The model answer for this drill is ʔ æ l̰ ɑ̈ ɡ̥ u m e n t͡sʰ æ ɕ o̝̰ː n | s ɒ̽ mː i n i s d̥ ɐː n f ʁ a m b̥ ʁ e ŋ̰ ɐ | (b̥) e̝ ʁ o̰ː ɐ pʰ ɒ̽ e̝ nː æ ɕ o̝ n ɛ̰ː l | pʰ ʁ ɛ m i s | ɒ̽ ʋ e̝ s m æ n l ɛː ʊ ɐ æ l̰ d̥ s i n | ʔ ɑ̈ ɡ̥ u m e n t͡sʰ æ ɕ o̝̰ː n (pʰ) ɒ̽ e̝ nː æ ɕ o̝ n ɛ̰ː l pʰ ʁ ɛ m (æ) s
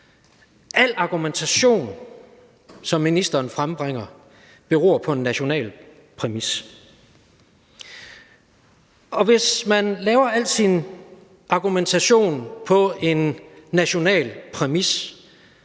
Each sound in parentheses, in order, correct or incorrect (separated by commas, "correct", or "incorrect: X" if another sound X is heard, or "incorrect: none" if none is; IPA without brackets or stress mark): correct, correct, incorrect: i